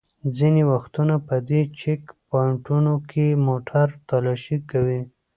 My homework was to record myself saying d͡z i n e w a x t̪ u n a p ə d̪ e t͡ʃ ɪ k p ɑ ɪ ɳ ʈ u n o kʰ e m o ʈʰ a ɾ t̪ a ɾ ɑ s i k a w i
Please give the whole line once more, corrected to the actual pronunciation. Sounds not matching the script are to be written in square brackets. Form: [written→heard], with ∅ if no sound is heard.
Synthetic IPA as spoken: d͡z i n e w a x t̪ u n a p ə d̪ e t͡ʃ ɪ k p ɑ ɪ ɳ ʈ u n o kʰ e m o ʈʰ a ɾ t̪ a [ɾ→l] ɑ [s→ʃ] i k a w i